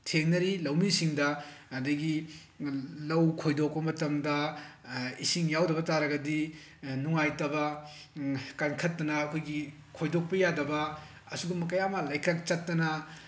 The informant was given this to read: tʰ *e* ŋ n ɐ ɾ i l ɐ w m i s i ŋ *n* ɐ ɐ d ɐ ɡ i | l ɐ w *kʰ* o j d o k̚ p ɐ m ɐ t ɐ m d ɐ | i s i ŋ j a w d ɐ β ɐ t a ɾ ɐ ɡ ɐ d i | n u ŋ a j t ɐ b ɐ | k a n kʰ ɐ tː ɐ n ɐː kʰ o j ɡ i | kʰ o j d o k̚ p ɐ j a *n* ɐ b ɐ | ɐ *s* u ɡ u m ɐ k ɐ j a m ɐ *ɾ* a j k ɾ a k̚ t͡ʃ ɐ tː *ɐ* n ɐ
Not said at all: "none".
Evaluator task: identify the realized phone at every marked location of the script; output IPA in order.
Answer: e, d, kʰ, d, s, l, ɐ

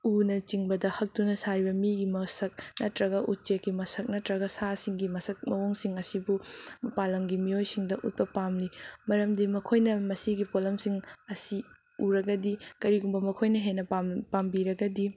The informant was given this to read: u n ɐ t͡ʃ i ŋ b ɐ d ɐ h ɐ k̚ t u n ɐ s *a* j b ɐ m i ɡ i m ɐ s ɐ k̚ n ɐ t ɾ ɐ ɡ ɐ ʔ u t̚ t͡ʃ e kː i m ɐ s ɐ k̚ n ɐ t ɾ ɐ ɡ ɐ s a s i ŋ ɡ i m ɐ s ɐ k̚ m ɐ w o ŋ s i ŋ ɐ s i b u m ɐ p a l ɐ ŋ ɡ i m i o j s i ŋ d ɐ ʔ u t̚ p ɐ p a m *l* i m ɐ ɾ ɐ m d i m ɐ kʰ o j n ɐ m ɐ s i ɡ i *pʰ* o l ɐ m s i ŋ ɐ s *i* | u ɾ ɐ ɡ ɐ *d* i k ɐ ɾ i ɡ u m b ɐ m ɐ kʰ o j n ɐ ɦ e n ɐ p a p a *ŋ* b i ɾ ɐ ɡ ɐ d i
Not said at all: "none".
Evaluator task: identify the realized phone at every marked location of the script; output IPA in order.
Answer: a, l, p, i, d, m

